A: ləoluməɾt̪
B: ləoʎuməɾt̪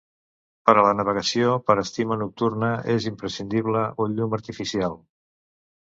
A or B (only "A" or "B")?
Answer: B